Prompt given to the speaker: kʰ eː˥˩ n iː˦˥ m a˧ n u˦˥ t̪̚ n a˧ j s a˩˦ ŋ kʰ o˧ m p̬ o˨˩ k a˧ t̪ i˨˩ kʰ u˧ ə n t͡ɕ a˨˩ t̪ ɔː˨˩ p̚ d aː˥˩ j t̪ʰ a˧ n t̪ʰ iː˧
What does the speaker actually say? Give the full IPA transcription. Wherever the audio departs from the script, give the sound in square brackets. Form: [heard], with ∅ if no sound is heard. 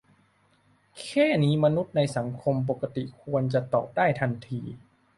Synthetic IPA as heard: kʰ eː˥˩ n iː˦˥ m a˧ n u˦˥ t̪̚ n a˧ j s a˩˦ ŋ kʰ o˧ m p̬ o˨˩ k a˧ t̪ i˨˩ kʰ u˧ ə n t͡ɕ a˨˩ t̪ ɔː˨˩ p̚ d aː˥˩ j t̪ʰ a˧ n t̪ʰ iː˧